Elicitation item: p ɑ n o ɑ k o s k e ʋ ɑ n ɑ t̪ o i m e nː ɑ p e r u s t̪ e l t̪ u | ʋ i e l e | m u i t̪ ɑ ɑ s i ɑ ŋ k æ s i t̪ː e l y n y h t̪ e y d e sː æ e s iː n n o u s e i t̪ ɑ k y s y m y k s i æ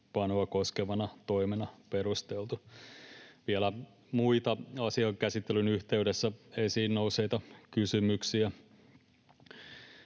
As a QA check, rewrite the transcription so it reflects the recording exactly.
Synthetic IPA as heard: p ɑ n o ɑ k o s k e ʋ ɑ n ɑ t̪ o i m e n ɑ p e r u s t̪ e l t̪ u | ʋ i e l æ | m u i t̪ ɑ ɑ s i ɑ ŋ k æ s i t̪ː e l y n y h t̪ e y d e sː æ e s iː n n o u s e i t̪ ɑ k y s y m y k s i æ